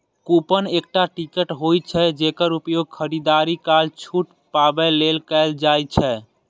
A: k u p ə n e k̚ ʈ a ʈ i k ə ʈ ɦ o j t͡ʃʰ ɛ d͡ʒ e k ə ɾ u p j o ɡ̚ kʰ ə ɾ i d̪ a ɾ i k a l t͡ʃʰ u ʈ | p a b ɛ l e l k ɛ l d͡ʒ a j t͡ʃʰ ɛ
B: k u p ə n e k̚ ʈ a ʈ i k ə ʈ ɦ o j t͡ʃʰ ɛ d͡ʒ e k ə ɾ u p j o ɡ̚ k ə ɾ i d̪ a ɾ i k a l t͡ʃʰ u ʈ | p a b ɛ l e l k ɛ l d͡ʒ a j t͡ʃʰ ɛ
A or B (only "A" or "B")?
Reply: A